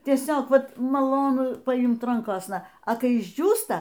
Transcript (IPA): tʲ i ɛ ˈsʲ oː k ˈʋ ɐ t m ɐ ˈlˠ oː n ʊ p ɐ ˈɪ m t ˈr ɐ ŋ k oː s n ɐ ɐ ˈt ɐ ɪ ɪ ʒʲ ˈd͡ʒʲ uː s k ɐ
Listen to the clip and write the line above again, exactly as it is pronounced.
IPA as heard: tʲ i ɛ ˈsʲ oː k ˈʋ ɐ t m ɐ ˈlˠ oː n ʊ p ɐ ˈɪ m t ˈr ɐ ŋ k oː s n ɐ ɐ ˈk ɐ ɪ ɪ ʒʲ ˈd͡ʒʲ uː s t ɐ